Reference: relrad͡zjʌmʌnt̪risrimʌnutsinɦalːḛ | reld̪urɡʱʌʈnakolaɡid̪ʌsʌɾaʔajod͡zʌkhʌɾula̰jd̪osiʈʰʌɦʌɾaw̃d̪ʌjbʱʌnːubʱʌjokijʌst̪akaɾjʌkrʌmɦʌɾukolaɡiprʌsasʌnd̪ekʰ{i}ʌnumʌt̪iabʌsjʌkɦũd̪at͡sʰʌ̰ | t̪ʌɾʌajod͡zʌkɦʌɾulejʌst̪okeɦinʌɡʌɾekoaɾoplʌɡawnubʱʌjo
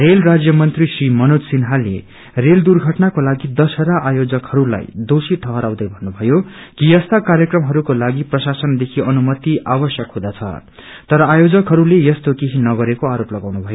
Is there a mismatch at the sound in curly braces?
no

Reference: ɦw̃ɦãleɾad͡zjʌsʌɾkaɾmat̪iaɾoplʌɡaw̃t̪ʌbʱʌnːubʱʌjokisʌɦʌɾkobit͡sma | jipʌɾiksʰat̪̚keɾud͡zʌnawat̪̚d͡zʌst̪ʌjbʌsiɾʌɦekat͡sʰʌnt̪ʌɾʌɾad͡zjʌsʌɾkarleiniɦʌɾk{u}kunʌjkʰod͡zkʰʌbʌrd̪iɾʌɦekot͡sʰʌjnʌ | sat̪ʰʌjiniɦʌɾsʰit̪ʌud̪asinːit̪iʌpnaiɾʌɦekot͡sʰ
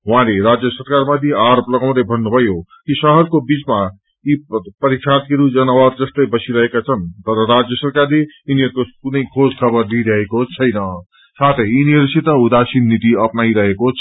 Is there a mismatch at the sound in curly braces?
yes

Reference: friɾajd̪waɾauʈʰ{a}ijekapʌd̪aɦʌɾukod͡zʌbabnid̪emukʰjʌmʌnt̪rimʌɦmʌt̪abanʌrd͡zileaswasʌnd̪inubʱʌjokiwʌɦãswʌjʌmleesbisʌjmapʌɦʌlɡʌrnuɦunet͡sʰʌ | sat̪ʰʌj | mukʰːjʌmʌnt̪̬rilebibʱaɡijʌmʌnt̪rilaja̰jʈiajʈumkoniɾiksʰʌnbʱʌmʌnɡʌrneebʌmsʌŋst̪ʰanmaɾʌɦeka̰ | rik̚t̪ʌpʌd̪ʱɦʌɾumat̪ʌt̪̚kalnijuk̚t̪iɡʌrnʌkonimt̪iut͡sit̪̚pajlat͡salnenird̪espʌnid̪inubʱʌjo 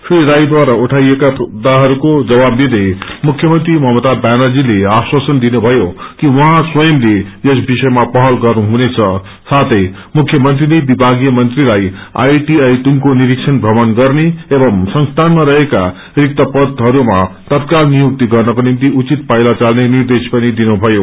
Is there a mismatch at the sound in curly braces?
no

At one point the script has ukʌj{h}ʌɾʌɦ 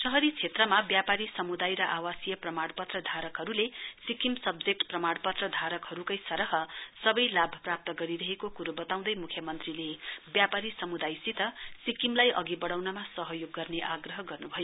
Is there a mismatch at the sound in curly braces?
yes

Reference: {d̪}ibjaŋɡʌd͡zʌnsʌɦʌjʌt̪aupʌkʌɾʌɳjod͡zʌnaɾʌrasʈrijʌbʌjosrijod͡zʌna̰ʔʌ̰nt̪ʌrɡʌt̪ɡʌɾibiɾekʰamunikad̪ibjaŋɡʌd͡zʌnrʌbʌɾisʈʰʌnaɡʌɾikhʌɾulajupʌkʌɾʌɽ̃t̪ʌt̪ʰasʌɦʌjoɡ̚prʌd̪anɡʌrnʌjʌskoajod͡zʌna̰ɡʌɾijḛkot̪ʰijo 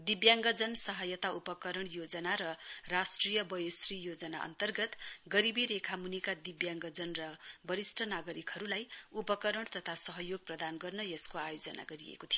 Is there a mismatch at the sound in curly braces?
no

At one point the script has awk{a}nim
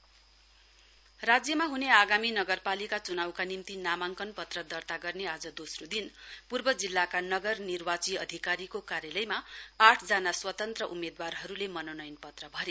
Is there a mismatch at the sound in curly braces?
no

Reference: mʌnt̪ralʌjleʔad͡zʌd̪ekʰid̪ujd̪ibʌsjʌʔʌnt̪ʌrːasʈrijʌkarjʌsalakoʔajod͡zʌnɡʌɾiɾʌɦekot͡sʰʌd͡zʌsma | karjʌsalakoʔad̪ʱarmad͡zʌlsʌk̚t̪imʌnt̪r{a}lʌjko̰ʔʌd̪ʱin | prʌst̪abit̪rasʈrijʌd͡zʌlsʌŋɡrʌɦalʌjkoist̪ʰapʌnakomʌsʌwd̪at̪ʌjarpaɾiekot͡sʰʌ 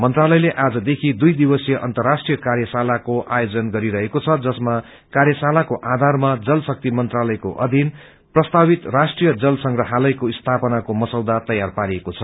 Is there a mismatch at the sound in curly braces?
no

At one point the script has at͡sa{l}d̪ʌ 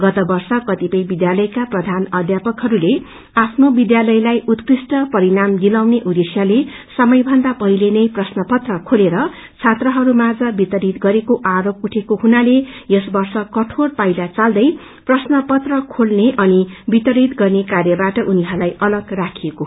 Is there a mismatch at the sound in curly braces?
no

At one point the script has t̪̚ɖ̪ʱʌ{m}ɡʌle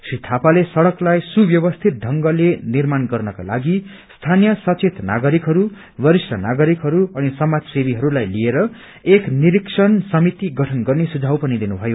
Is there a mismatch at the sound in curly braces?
yes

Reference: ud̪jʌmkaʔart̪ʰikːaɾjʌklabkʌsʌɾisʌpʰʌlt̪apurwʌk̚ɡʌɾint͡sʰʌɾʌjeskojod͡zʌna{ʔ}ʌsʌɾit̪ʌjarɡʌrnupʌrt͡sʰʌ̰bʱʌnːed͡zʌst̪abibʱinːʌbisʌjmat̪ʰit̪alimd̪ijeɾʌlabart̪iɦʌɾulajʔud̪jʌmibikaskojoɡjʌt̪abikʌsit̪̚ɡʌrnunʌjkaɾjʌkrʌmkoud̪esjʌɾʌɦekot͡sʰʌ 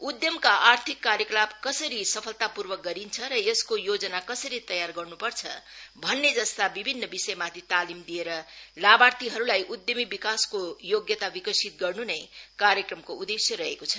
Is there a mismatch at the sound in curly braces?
yes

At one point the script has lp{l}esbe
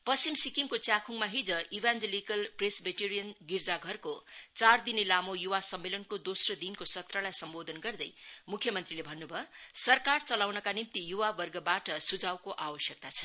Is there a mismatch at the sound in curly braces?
yes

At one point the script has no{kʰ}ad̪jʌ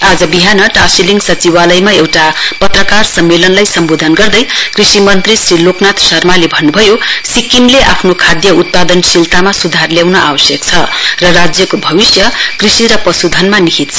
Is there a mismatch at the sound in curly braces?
no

